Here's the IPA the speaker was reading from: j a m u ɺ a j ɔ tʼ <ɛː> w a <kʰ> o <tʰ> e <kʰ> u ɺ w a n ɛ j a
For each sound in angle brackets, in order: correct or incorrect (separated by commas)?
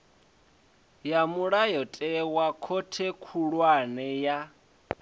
incorrect, correct, correct, correct